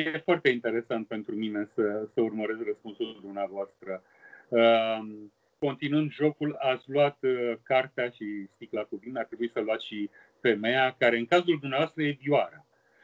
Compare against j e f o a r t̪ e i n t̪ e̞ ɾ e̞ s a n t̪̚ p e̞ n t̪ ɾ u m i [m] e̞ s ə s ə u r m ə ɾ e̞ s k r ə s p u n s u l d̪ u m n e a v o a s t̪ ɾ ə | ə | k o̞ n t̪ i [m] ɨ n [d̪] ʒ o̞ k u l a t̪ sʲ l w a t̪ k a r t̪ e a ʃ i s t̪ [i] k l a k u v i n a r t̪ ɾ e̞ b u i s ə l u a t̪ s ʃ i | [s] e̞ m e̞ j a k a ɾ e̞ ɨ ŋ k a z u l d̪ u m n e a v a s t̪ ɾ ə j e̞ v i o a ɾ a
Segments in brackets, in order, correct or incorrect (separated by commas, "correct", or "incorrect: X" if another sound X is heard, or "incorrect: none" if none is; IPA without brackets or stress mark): incorrect: n, incorrect: n, correct, correct, incorrect: f